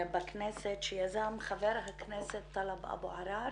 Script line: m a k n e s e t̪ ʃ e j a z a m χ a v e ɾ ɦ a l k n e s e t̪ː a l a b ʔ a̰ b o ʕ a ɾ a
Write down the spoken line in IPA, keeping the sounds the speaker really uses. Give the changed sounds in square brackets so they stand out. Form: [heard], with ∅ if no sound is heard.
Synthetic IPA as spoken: [b] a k n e s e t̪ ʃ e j a z a m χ a v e ɾ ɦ a [∅] k n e s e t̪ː a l a b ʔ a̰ b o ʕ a ɾ a